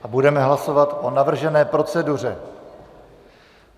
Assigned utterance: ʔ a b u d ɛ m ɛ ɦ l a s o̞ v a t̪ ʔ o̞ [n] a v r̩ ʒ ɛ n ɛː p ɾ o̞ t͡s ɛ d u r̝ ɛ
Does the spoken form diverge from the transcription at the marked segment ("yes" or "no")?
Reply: no